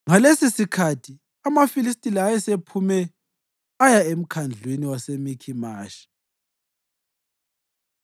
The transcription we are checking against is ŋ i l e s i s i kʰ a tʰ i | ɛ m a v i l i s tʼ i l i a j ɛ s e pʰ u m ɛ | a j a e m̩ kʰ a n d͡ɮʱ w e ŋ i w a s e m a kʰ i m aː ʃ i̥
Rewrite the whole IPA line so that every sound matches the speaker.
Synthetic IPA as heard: ŋ a l e s i s i kʰ a tʰ i | a m a f i l i s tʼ i l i a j ɛ s e pʰ u m ɛ | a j a e m̩ kʰ a n d͡ɮʱ w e n i w a s e m i kʰ i m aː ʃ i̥